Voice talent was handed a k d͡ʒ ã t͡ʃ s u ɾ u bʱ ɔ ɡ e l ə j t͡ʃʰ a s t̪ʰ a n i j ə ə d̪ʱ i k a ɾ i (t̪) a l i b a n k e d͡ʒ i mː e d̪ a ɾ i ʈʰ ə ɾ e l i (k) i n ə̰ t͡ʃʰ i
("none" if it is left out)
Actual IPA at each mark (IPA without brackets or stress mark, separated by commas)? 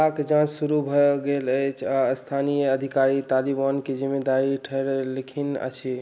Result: t̪, kʰ